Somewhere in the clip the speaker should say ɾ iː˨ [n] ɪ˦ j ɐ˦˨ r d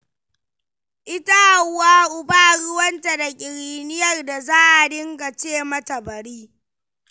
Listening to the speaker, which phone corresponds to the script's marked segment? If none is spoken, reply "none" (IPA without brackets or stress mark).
n